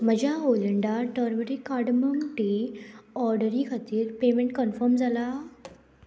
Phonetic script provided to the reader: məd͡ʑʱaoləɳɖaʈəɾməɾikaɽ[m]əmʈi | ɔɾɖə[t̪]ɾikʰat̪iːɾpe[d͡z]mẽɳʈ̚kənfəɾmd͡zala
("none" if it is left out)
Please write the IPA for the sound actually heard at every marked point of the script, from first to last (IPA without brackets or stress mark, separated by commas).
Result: m, none, none